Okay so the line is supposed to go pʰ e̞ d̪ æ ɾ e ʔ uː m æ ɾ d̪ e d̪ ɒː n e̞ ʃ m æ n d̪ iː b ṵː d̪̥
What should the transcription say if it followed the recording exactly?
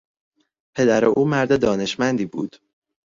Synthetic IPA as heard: pʰ e̞ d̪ æ ɾ e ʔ uː m æ ɾ d̪ e d̪ ɒː n e̞ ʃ m æ n d̪ iː b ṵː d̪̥